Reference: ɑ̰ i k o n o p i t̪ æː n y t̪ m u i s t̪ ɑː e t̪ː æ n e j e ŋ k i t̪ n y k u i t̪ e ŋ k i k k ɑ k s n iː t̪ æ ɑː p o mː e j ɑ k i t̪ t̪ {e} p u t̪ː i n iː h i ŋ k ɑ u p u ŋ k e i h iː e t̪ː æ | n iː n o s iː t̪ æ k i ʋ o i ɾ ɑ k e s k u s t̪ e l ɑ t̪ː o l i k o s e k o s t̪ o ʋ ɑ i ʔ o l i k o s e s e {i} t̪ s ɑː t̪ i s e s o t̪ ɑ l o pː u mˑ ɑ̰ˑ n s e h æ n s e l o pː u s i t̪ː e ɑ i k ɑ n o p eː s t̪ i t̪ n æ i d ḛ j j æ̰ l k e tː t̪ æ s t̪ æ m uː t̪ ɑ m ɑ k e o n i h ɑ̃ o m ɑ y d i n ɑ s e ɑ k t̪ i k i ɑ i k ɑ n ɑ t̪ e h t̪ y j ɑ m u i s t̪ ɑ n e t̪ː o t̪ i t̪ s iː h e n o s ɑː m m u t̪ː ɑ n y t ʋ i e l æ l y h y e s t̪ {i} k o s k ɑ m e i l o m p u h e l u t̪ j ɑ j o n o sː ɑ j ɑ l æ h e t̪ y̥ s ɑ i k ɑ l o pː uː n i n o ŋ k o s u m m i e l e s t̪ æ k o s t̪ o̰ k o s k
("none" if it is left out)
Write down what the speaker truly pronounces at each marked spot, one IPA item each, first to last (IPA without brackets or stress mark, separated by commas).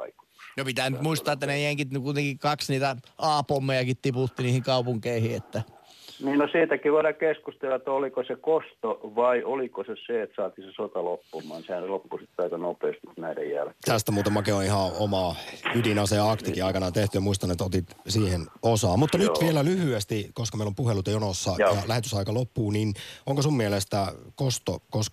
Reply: i, e, i